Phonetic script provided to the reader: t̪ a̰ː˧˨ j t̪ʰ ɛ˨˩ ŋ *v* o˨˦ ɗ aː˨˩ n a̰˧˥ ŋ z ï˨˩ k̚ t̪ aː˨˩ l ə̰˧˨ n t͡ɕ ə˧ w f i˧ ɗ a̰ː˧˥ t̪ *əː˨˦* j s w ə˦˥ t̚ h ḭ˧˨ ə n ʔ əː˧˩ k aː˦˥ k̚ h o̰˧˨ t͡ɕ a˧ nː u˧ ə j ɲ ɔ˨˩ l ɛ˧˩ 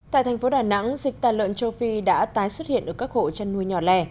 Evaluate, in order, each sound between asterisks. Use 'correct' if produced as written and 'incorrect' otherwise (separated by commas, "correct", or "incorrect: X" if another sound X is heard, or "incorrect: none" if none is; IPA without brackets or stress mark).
incorrect: f, incorrect: aː˨˦